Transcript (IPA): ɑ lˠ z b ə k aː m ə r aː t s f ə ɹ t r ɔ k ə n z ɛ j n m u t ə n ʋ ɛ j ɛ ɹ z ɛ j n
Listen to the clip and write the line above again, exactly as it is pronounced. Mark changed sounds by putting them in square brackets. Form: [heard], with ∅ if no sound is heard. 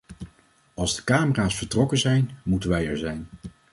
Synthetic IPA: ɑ lˠ z [d] ə k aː m ə r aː [∅] s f ə ɹ t r ɔ k ə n z ɛ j n m u t ə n ʋ ɛ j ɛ ɹ z ɛ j n